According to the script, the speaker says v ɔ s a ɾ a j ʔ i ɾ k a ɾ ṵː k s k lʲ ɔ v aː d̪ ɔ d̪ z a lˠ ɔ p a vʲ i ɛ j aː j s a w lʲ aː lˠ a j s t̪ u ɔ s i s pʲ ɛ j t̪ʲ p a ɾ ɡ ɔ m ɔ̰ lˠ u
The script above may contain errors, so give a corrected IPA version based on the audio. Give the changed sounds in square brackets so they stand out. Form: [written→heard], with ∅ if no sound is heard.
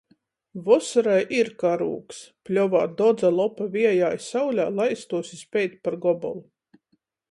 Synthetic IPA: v ɔ s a ɾ a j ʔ i ɾ k a ɾ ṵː k s [k→p] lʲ ɔ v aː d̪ ɔ d̪ z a lˠ ɔ p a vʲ i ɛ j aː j s a w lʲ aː lˠ a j s t̪ u ɔ s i s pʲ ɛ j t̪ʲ p a ɾ ɡ ɔ [m→b] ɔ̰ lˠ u